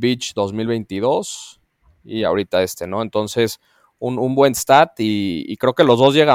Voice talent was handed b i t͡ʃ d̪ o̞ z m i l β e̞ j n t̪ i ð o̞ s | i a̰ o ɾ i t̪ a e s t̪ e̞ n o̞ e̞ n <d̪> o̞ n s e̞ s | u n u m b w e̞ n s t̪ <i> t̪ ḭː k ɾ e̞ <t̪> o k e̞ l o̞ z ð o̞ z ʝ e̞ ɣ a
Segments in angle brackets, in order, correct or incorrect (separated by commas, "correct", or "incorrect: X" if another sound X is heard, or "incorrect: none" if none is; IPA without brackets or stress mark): incorrect: t̪, incorrect: a, incorrect: none